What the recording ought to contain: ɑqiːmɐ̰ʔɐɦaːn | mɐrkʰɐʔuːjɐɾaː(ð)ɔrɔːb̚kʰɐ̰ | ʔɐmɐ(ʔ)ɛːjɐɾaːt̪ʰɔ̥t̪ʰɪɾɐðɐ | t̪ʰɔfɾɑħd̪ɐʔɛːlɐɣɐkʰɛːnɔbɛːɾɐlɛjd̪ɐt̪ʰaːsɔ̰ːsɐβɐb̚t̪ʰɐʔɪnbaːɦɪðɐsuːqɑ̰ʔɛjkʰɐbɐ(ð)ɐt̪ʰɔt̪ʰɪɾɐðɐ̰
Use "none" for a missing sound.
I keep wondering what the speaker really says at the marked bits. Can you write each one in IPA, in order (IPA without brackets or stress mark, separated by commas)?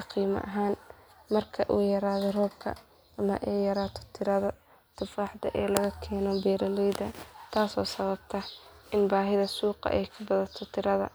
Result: ð, ʔ, ð